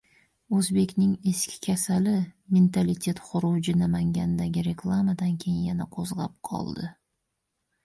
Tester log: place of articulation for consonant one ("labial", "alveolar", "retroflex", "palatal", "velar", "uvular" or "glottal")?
alveolar